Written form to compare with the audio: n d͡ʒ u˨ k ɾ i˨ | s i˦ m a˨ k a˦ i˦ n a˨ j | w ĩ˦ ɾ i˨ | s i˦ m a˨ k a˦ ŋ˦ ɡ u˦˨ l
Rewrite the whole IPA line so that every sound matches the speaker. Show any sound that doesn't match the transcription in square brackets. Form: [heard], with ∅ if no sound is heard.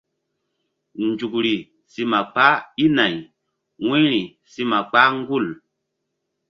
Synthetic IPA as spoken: n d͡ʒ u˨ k ɾ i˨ | s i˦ m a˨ [k͡p] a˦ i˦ n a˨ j | w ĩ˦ ɾ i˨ | s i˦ m a˨ [k͡p] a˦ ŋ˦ ɡ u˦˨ l